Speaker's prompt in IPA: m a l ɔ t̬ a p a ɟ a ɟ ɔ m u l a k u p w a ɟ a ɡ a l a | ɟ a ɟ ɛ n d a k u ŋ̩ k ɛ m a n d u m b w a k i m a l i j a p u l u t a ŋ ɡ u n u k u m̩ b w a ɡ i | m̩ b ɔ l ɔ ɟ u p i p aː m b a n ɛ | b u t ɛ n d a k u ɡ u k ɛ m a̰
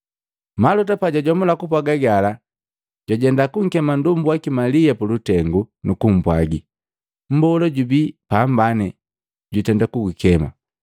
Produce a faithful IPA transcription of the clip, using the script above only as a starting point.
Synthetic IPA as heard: m a l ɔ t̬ a p a ɟ a ɟ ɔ m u l a k u p w a ɡ a ɡ a l a | ɟ a ɟ ɛ n d a k u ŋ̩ k ɛ m a n d u m b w a k i m a l i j a p u l u t ɛ ŋ ɡ u n u k u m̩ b w a ɡ i | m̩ b ɔ l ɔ ɟ u b i p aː m b a n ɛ | ɟ u t ɛ n d a k u ɡ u k ɛ m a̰